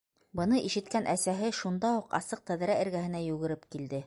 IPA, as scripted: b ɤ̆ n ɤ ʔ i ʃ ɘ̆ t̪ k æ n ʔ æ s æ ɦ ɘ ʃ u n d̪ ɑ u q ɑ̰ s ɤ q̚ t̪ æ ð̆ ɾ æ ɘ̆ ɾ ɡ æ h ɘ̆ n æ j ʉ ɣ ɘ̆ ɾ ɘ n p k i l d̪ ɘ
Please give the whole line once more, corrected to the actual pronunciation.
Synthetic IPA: b ɤ̆ n ɤ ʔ i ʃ ɘ̆ t̪ k æ n ʔ æ s æ ɦ ɘ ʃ u n d̪ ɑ u q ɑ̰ s ɤ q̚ t̪ æ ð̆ ɾ æ ɘ̆ ɾ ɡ æ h ɘ̆ n æ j ʉ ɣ ɘ̆ ɾ ɘ p k i l d̪ ɘ